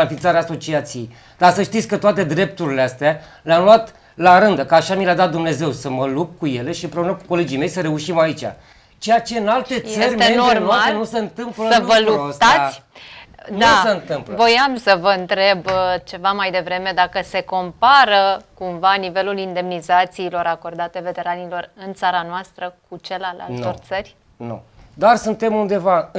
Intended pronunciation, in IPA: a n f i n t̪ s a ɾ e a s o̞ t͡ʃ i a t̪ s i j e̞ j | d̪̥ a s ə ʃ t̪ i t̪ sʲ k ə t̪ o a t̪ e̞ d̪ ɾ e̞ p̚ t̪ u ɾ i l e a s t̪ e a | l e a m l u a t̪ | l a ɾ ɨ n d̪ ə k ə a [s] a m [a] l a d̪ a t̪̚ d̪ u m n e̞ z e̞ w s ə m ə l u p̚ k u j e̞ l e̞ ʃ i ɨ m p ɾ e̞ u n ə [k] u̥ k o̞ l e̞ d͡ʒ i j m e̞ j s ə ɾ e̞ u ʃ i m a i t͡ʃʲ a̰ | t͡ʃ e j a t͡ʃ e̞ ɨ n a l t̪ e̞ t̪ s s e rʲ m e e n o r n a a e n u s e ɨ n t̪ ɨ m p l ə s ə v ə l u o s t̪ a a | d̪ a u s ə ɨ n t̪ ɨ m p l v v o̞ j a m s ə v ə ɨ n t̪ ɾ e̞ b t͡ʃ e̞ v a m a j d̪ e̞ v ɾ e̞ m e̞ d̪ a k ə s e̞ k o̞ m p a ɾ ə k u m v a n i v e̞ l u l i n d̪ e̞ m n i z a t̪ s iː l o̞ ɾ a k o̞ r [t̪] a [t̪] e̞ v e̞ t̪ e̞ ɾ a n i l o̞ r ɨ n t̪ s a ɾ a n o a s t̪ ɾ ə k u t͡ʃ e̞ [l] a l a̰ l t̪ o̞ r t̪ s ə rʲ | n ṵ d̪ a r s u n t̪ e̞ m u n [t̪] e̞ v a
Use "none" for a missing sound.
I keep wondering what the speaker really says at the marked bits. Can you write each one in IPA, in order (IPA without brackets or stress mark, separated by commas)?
ʃ, i, k, d̪, t̪, l, d̪